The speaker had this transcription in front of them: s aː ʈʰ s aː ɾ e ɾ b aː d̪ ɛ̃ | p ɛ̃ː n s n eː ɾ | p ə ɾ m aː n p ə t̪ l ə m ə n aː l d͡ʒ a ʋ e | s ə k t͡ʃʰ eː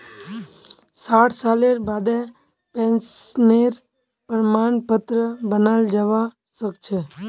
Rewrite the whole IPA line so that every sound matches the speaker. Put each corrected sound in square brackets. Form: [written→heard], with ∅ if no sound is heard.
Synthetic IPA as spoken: s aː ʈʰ s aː [ɾ→l] e ɾ b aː d̪ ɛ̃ | p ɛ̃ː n s n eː ɾ | p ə ɾ m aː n p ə t̪ [l→ɾ] ə [m→b] ə n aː l d͡ʒ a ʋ [e→a] | s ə k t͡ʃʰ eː